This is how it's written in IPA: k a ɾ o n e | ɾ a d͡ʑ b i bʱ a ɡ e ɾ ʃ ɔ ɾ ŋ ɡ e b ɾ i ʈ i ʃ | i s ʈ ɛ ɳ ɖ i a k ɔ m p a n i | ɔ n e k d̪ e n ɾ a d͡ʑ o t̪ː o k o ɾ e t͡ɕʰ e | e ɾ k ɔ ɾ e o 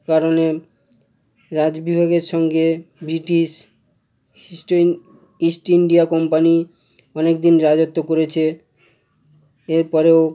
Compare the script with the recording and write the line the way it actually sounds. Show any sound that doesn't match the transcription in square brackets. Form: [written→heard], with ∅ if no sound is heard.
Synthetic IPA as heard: k a ɾ o n e | ɾ a d͡ʑ b i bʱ a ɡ e ɾ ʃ ɔ [ɾ→∅] ŋ ɡ e b ɾ i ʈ i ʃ | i s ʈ [ɛ→i] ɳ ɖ i a k ɔ m p a n i | ɔ n e k d̪ [e→i] n ɾ a d͡ʑ o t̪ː o k o ɾ e t͡ɕʰ e | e ɾ [k→p] ɔ ɾ e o